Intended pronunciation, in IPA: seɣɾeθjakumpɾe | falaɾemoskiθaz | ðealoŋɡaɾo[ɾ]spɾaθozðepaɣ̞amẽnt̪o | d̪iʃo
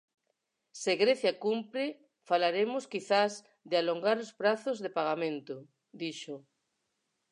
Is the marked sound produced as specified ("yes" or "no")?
no